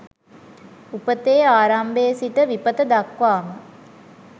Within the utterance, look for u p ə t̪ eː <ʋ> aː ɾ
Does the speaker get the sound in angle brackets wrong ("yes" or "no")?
yes